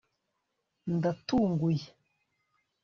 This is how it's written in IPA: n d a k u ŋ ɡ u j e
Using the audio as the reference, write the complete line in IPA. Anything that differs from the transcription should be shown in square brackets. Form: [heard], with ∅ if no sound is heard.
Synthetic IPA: n d a [t] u ŋ ɡ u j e

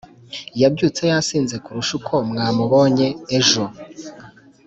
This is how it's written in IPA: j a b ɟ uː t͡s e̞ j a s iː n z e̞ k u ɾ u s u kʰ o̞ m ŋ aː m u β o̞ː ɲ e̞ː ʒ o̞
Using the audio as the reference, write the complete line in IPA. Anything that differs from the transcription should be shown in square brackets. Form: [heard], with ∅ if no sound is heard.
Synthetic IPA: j a b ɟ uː t͡s e̞ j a s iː n z e̞ k u ɾ u [ʃ] u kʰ o̞ m ŋ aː m u β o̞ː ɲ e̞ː ʒ o̞

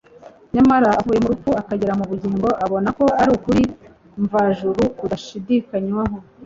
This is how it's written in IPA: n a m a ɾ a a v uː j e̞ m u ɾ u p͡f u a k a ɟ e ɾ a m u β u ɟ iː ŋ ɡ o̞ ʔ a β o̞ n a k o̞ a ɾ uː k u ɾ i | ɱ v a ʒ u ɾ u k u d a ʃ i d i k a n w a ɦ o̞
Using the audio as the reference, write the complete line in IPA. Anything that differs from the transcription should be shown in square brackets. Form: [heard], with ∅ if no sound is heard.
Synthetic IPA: [ɲ] a m a ɾ a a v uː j e̞ m u ɾ u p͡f u a k a ɟ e ɾ a m u β u ɟ iː ŋ ɡ o̞ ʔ a β o̞ n a k o̞ a ɾ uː k u ɾ i | ɱ v a ʒ u ɾ u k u d a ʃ i d i k a [ɲ] w a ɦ o̞

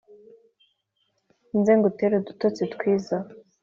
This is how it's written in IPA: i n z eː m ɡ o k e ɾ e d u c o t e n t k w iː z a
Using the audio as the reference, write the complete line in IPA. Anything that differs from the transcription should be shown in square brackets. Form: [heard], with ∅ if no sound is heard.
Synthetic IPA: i n z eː [ŋ] ɡ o [t] e ɾ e d u [t] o [t͡s] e [∅] t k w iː z a

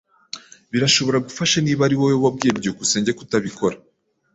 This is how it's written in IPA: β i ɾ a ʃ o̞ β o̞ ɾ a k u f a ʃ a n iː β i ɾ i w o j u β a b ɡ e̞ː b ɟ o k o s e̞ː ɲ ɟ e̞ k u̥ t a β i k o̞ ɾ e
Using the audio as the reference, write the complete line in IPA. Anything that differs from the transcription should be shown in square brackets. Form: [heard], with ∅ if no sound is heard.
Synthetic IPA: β i ɾ a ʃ o̞ β o̞ ɾ a [ɡ] u f a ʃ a n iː β [a] ɾ i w o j [o] β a b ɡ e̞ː b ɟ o k [u] s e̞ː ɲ ɟ e̞ k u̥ t a β i k o̞ ɾ [a]

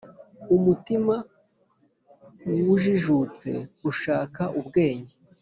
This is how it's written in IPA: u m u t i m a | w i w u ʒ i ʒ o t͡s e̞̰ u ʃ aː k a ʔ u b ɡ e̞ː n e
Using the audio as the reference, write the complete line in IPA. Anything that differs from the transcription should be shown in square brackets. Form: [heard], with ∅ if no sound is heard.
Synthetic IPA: u m u t i m a | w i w u ʒ i ʒ [u] t͡s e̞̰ u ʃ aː k a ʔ u b ɡ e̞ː [ɲ] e

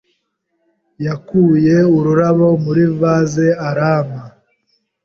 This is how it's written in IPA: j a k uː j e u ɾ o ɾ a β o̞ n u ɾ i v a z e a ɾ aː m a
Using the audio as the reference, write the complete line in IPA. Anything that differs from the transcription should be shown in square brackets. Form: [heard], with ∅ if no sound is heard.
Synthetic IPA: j a k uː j e u ɾ [u] ɾ a β o̞ [m] u ɾ i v a z e a ɾ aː m a

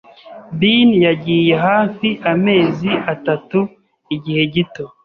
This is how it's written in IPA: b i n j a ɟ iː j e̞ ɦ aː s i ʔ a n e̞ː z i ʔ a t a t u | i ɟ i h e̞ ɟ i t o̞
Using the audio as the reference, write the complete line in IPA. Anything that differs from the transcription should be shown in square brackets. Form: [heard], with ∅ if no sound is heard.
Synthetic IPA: b i n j a ɟ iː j e̞ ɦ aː [f] i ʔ a [m] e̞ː z i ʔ a t a t u | i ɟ i h e̞ ɟ i t o̞

